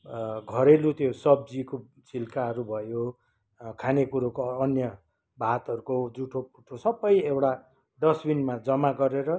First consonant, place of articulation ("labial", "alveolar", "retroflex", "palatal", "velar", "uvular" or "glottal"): velar